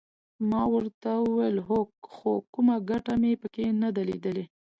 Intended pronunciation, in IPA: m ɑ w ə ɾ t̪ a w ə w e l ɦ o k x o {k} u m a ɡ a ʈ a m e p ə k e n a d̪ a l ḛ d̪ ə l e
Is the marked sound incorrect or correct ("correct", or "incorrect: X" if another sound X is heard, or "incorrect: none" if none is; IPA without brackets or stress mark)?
correct